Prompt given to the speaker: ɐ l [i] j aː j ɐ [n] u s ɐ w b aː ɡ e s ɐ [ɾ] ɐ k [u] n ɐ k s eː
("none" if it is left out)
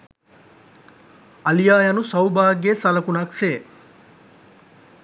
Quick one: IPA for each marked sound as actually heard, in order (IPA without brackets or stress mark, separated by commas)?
i, n, l, u